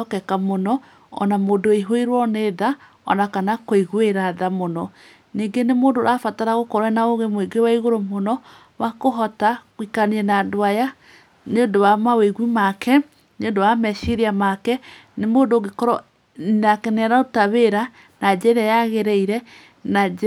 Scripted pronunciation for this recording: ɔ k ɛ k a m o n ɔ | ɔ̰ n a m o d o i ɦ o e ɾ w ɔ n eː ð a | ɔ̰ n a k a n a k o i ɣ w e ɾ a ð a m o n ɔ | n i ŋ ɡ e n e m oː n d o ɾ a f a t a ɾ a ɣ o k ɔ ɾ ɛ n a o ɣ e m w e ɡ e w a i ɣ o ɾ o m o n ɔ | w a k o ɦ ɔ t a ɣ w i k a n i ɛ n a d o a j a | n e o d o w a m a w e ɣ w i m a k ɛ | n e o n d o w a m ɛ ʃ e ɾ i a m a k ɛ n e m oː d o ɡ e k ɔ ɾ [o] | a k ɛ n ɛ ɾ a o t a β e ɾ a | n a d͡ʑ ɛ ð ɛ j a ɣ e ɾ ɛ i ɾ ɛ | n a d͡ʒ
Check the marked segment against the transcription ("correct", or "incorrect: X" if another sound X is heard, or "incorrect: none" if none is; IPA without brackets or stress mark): incorrect: ɔ